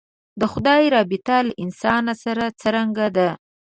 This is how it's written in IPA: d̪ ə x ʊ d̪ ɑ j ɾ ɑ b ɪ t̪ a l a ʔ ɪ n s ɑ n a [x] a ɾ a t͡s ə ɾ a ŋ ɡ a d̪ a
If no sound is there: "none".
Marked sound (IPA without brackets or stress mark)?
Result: s